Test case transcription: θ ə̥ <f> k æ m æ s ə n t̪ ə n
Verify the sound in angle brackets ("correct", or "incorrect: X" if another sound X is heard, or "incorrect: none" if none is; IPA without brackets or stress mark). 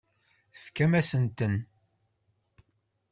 correct